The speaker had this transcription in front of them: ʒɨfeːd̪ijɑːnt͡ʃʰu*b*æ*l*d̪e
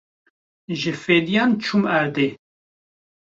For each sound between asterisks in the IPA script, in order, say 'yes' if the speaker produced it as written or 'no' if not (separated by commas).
no, no